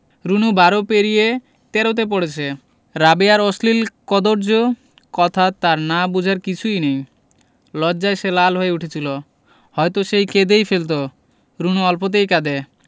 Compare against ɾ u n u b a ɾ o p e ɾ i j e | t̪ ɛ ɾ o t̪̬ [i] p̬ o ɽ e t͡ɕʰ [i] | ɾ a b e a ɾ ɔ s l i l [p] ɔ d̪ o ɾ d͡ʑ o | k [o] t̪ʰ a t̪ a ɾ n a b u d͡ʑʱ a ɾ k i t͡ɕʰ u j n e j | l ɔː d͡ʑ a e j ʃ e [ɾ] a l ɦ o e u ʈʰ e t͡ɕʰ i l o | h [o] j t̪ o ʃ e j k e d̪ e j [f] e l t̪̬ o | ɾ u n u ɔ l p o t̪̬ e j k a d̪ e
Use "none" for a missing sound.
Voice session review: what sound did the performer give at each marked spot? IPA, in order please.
e, e, k, ɔ, l, ɔ, f

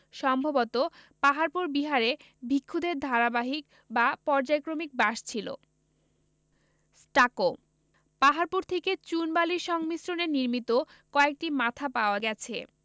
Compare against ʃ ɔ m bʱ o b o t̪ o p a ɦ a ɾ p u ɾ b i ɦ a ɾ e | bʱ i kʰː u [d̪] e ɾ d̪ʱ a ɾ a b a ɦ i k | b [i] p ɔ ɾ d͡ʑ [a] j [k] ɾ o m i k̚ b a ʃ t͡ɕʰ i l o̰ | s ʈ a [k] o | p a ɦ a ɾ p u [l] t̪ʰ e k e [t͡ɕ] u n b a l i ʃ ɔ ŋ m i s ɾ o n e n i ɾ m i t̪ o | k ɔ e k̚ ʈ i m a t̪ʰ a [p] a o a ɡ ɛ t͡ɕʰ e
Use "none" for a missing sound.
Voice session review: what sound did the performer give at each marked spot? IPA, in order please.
d̪, a, a, k, k, ɾ, t͡ɕ, p

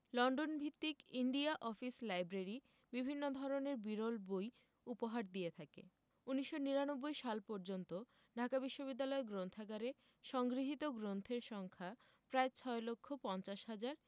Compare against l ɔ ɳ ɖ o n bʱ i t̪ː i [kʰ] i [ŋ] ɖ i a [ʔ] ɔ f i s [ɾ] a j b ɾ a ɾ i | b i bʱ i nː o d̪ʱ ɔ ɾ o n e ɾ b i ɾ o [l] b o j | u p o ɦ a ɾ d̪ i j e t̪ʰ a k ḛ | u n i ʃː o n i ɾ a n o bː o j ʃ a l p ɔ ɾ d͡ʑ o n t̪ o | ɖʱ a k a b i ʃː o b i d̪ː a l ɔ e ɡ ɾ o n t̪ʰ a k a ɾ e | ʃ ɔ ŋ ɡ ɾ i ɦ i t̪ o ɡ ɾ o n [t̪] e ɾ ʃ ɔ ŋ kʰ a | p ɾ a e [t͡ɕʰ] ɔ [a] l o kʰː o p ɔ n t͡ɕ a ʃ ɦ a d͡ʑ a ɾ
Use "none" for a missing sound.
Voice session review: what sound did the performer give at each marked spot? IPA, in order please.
k, ɳ, ʔ, l, l, t̪ʰ, t͡ɕʰ, e

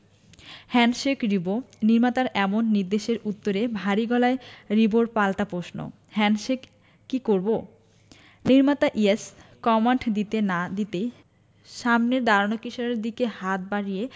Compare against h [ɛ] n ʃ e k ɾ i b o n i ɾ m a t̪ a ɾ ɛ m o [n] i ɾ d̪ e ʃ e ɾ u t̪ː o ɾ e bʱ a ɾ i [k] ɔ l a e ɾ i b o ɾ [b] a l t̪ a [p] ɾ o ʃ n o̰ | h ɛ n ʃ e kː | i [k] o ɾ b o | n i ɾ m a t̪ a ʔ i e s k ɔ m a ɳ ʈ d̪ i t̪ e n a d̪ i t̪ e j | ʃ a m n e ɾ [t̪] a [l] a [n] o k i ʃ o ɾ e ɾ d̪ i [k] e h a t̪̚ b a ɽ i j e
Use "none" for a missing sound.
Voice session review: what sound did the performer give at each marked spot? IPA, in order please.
ɛ, nː, ɡ, p, p, k, d̪, ɾ, n, k

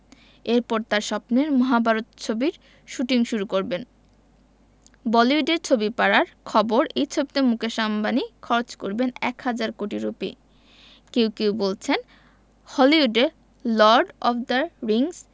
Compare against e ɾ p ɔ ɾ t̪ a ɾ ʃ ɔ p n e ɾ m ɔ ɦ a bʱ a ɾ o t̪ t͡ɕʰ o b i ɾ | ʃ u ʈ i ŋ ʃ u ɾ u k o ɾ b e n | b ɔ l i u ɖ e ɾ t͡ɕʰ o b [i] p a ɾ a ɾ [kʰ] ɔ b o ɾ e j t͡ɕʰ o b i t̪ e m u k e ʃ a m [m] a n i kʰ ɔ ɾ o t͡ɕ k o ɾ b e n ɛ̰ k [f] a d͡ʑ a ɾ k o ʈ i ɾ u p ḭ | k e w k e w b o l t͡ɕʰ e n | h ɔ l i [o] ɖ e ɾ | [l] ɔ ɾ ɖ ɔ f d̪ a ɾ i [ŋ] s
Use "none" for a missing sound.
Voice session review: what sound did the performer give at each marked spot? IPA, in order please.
i, kʰ, b, h, u, l, ŋ

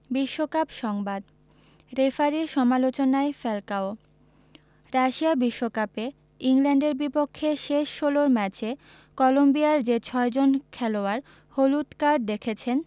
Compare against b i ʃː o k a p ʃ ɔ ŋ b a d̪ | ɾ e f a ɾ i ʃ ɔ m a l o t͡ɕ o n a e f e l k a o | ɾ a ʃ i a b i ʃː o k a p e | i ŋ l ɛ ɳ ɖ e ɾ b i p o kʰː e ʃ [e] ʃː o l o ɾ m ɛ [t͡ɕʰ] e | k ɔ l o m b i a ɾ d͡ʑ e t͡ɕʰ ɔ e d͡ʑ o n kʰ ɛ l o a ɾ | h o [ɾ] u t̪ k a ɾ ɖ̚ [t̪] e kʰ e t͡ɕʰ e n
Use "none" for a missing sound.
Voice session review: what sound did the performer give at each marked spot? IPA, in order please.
e, t͡ɕ, l, d̪

